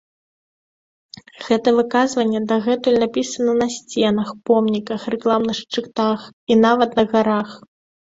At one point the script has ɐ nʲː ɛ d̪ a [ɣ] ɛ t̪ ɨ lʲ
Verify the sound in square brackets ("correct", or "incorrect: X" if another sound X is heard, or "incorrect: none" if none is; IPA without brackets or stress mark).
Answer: correct